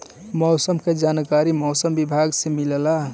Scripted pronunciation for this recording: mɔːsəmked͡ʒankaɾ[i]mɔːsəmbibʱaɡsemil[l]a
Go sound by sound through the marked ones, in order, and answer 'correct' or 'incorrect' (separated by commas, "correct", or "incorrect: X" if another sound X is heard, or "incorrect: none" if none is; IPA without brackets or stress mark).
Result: correct, correct